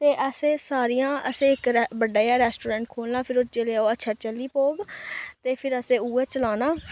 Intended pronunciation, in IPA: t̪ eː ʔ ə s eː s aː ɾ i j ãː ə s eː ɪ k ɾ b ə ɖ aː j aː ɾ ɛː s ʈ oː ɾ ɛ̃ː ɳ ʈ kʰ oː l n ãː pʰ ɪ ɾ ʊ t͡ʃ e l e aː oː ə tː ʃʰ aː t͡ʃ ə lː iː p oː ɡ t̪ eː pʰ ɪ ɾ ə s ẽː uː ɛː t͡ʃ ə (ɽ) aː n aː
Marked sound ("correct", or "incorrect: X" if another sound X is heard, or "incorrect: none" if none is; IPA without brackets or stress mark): incorrect: l